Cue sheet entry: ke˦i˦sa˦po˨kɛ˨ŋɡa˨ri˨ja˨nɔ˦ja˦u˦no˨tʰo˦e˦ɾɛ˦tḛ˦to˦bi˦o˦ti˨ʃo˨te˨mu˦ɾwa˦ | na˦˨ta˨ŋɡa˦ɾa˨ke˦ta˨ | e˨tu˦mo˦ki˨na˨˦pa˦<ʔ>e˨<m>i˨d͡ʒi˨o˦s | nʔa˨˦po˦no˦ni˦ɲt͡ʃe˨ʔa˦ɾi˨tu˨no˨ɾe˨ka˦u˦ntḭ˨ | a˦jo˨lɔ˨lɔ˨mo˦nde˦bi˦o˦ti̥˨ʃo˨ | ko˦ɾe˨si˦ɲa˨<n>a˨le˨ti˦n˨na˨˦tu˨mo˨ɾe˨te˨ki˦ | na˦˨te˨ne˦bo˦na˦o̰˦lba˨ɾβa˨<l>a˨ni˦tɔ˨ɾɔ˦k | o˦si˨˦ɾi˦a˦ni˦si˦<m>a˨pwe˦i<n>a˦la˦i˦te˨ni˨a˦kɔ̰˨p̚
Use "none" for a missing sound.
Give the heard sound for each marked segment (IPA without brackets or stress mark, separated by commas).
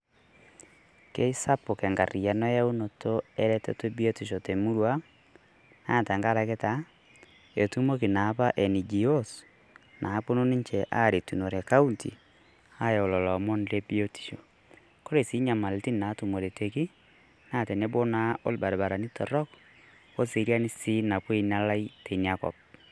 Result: ʔ, n, m, ɾ, n, n